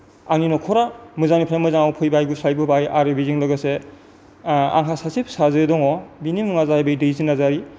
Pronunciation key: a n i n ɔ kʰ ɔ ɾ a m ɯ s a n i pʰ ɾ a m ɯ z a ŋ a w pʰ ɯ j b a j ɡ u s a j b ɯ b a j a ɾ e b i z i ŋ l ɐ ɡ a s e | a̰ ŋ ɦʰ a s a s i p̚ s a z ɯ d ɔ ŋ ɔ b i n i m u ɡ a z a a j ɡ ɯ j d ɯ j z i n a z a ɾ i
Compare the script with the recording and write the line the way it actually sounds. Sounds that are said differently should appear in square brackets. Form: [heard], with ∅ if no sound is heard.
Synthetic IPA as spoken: a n i n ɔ kʰ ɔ ɾ a m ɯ [z] a n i pʰ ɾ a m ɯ z a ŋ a w pʰ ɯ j b a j ɡ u s a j b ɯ b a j a ɾ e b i z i ŋ l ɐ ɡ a s e | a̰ ŋ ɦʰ a s a s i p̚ s a z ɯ d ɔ ŋ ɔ b i n i m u [ŋ] a z a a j [b] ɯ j d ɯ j z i n a z a ɾ i